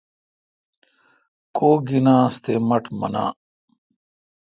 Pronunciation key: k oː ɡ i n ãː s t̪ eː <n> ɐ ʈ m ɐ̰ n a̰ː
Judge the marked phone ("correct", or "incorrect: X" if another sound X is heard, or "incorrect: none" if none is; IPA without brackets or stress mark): incorrect: m